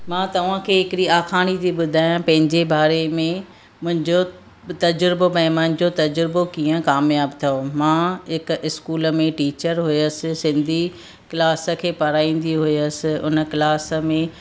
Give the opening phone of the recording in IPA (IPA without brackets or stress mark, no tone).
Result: m